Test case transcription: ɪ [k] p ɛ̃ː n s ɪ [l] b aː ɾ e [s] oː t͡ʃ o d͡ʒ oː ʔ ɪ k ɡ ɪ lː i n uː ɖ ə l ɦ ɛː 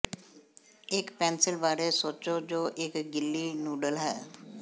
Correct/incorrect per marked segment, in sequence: correct, correct, correct

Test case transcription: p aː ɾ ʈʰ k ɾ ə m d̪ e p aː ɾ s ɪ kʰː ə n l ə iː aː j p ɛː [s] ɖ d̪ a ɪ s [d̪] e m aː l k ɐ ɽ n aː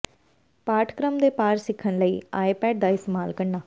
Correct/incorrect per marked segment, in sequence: incorrect: none, incorrect: t̪

